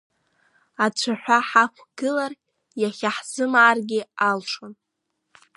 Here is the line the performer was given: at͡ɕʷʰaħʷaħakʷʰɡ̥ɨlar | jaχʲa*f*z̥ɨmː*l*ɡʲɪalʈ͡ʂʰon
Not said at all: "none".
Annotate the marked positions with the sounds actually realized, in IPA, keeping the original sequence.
ħ, r

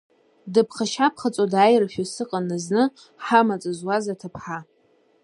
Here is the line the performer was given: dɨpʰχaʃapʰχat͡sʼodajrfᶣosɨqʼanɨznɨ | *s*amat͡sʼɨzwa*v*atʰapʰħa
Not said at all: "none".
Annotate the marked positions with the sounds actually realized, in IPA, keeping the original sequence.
ħ, z

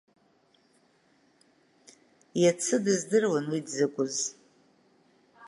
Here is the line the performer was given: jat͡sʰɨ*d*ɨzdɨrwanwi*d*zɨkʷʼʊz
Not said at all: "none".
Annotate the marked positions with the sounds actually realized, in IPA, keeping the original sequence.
d, d

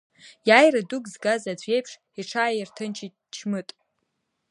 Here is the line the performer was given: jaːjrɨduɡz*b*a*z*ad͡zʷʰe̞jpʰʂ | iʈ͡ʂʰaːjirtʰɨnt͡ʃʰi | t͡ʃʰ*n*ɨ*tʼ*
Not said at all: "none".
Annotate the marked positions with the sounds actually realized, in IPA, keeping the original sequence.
ɡ, z, m, tʼ

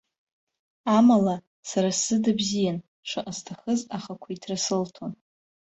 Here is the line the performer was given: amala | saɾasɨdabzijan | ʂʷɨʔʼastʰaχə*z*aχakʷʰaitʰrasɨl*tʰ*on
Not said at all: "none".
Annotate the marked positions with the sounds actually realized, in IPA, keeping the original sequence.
z, tʰ

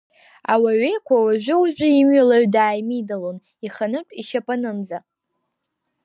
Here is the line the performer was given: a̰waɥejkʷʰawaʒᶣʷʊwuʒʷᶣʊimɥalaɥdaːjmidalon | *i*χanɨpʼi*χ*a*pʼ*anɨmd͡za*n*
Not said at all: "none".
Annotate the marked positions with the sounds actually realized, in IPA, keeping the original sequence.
i, ʃ, pʼ, none

